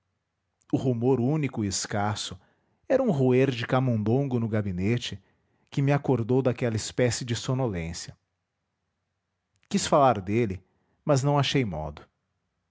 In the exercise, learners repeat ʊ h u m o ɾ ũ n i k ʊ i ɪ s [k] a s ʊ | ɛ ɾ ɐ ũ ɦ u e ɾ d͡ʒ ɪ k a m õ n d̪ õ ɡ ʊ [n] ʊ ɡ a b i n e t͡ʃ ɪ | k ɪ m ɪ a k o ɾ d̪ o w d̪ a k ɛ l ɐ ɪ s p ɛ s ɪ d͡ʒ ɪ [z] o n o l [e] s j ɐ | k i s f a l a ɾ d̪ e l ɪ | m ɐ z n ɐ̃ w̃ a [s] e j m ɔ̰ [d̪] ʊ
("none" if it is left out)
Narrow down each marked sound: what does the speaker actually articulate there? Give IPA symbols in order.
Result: k, n, s, ẽ, ʃ, d̪

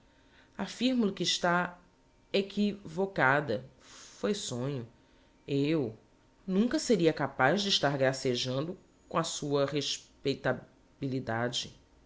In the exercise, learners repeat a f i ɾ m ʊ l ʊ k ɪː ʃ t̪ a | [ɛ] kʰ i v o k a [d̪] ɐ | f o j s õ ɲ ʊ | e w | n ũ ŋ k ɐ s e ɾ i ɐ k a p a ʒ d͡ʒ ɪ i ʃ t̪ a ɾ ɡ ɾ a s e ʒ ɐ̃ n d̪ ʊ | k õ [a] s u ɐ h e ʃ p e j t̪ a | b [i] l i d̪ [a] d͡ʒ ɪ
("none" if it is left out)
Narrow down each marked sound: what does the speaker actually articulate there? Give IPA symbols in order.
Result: e, d̪, ɐ, i, a

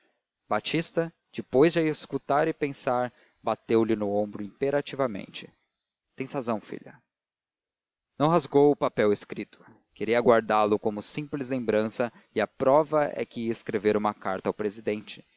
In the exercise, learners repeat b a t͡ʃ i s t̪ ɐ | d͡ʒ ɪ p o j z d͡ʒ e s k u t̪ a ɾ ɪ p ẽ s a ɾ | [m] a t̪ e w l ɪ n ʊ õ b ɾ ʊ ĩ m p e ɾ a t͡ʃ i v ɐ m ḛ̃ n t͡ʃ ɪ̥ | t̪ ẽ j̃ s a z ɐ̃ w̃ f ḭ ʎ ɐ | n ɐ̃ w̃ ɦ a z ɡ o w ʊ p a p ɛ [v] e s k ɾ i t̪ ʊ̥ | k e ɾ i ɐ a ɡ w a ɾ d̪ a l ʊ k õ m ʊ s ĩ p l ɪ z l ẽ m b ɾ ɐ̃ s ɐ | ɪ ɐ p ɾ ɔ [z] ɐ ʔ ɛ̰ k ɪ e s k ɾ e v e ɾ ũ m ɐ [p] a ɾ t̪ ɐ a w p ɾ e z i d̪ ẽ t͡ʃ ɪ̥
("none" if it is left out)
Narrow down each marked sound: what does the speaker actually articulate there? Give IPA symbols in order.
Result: b, w, v, k

